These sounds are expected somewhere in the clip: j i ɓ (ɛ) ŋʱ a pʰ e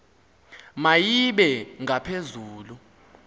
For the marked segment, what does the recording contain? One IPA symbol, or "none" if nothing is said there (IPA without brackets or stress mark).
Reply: ɛ